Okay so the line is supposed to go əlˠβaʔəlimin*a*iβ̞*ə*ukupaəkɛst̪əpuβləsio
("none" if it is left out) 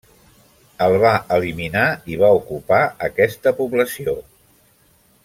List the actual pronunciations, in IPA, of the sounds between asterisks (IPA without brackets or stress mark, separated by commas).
a, a